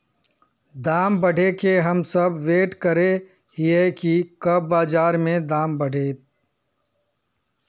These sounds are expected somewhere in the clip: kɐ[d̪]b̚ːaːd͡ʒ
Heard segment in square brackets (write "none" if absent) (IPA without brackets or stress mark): none